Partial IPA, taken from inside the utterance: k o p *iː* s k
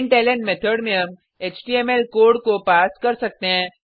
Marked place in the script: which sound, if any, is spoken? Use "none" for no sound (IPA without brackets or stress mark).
aː